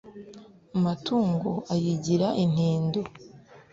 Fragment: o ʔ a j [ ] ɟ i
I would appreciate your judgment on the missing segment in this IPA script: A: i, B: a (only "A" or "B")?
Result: A